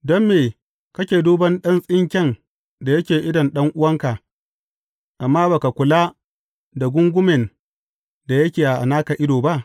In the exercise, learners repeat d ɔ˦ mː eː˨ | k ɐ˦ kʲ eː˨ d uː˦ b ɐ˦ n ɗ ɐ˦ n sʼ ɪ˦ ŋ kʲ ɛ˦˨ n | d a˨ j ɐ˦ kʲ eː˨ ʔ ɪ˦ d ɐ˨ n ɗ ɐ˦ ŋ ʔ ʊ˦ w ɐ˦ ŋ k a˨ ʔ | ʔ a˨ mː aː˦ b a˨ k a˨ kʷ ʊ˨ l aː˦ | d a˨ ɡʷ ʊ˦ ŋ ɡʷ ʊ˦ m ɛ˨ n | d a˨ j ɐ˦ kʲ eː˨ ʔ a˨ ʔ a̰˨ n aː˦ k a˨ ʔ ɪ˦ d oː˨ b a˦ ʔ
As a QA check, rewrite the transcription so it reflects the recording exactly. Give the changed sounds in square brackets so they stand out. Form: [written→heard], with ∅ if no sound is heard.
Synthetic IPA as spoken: d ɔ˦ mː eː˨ | k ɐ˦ kʲ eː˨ d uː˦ b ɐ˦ n ɗ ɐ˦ n sʼ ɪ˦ ŋ kʲ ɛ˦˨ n | d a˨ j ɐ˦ kʲ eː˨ ʔ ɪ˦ d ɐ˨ n ɗ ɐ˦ ŋ ʔ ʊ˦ w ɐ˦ ŋ k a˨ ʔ | ʔ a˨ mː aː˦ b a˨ k a˨ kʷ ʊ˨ l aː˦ | d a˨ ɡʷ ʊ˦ ŋ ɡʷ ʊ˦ m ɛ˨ n | d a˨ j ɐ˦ kʲ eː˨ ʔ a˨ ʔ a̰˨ n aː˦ k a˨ ʔ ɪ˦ d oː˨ b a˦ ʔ